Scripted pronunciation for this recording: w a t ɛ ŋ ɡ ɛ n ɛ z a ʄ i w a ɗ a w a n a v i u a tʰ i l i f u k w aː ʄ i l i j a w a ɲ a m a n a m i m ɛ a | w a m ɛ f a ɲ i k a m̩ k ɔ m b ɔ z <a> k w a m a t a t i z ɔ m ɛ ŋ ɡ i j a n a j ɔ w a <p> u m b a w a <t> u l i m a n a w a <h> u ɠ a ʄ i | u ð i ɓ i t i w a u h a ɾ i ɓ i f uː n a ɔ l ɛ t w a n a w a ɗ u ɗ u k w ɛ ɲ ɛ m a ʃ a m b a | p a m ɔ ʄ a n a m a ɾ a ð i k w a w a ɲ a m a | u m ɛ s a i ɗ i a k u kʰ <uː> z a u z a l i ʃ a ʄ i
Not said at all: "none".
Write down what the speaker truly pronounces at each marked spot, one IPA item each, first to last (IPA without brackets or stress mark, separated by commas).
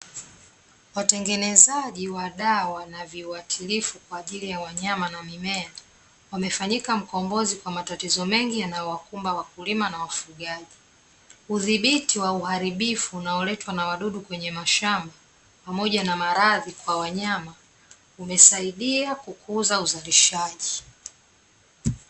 i, k, k, f, u